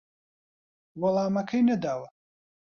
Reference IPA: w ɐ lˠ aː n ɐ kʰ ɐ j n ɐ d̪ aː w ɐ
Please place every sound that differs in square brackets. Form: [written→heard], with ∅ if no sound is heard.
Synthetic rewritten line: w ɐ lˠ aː [n→m] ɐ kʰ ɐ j n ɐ d̪ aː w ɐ